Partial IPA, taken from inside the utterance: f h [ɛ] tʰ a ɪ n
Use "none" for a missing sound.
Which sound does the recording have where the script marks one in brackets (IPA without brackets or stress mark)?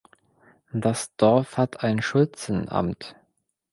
a